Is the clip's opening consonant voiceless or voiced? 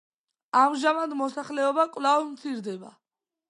voiced